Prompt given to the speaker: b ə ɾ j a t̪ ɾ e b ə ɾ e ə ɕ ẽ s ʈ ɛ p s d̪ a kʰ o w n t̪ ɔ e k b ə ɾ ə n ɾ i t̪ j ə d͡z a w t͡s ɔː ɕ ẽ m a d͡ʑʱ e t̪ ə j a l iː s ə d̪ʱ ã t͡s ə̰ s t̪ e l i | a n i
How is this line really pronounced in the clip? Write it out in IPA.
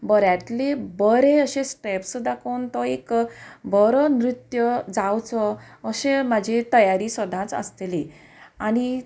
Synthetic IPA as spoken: b ə ɾ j a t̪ l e b ə ɾ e ə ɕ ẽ s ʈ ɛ p s d̪ a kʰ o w n t̪ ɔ e k b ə ɾ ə n ɾ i t̪ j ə d͡z a w t͡s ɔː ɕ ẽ m a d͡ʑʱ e t̪ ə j a ɾ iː s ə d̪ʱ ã t͡s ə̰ s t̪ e l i | a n i